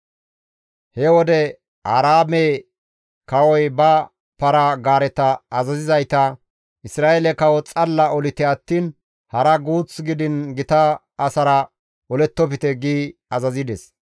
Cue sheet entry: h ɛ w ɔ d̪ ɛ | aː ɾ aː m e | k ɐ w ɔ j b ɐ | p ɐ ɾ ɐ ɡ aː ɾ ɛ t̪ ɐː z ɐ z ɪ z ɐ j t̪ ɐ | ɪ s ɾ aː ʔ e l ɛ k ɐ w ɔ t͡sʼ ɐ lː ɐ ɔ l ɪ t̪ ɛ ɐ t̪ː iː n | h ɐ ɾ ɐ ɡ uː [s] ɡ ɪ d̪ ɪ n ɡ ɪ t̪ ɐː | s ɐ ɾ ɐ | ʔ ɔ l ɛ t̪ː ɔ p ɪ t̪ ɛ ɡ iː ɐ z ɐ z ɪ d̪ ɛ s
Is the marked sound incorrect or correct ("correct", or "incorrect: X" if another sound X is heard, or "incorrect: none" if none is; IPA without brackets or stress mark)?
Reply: incorrect: t͡s